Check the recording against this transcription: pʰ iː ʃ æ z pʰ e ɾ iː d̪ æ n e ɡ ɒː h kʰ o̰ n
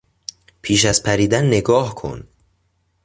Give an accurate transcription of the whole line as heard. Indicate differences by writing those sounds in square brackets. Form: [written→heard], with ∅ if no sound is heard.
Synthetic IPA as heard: pʰ iː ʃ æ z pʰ [e→æ] ɾ iː d̪ æ [n→nː] e ɡ ɒː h kʰ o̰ n